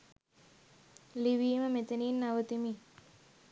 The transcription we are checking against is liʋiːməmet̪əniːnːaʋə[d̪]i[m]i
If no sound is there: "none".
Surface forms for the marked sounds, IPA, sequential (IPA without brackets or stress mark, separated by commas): t̪, m